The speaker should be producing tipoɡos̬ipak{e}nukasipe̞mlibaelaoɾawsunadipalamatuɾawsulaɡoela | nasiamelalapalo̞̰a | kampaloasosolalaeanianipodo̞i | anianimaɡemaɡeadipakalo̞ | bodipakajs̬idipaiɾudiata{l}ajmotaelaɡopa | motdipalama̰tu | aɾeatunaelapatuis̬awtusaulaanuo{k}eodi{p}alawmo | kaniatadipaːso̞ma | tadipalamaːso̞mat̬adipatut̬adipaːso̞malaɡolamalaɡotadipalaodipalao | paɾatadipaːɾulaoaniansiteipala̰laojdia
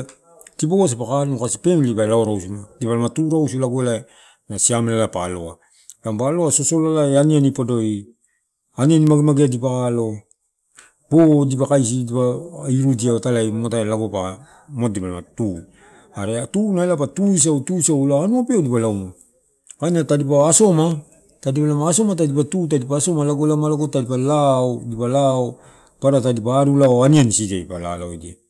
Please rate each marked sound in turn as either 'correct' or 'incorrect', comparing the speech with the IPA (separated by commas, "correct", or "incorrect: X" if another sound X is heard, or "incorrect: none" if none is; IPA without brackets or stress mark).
incorrect: a, correct, incorrect: p, correct